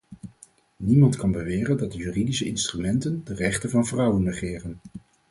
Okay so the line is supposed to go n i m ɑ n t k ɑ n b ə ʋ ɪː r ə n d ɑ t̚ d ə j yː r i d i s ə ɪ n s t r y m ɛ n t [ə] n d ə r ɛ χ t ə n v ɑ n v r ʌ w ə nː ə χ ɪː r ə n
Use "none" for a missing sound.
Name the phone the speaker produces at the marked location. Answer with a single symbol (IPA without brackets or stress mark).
ə